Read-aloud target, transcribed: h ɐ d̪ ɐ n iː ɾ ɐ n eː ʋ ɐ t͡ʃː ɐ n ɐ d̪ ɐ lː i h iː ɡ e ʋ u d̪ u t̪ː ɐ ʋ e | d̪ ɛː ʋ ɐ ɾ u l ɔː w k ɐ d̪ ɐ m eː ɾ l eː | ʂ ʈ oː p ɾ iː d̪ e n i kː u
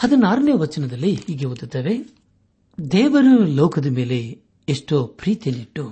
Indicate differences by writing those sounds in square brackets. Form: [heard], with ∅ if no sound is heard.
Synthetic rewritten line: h ɐ d̪ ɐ n [aː] ɾ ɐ n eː ʋ ɐ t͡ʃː ɐ n ɐ d̪ ɐ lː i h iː ɡ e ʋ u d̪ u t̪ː ɐ ʋ e | d̪ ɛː ʋ ɐ ɾ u l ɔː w k ɐ d̪ ɐ m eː [∅] l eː | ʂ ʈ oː p ɾ iː [t̪] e n i [ʈː] u